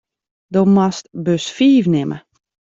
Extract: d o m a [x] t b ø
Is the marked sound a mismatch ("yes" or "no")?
yes